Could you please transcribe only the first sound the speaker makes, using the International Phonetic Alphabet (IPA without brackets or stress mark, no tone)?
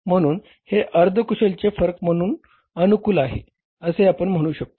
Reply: m̤